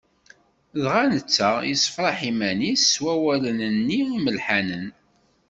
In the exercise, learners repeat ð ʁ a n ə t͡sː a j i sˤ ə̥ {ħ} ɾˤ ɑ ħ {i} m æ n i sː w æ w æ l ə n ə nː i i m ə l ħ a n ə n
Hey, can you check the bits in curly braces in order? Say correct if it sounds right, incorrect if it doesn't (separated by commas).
incorrect, correct